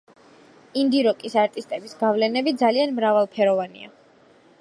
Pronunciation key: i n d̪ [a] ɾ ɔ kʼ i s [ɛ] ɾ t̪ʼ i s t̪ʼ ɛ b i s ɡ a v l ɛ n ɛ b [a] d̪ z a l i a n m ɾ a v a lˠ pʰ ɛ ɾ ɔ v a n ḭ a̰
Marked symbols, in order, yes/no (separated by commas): no, no, no